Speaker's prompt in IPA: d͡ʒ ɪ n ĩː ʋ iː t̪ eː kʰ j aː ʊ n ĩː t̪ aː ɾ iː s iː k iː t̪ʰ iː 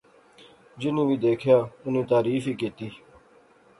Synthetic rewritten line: d͡ʒ ɪ n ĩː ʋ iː d̪ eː kʰ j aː ʊ n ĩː t̪ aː ɾ iː f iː k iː t̪ iː